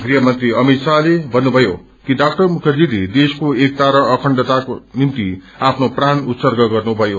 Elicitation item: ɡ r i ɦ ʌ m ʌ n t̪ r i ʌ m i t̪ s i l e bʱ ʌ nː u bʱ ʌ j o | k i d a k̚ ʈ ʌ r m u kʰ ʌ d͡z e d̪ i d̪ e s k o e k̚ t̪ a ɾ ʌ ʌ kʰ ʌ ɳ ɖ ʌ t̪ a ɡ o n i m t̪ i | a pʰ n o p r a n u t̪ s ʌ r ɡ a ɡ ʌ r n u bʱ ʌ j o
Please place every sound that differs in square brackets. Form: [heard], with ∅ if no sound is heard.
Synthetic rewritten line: ɡ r i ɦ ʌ m ʌ n t̪ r i ʌ m i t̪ s [a] l e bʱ ʌ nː u bʱ ʌ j o | k i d a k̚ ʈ ʌ r m u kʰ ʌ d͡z [i] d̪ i d̪ e s k o e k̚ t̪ a ɾ ʌ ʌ kʰ ʌ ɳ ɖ ʌ t̪ a [k] o n i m t̪ i | a pʰ n o p r a n u t̪ s ʌ r ɡ [ʌ] ɡ ʌ r n u bʱ ʌ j o